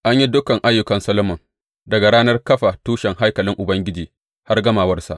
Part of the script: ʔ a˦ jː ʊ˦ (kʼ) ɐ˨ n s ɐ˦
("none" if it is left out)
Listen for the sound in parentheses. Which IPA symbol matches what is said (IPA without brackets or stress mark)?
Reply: k